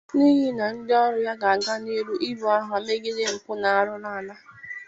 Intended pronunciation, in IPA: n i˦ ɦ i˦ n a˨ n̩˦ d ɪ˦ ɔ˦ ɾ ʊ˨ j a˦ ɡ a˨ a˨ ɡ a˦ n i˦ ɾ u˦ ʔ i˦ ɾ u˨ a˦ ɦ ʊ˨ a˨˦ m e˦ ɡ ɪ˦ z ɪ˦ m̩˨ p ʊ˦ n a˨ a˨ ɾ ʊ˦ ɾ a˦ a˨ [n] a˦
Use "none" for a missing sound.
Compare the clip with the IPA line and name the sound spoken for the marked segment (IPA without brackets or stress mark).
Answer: n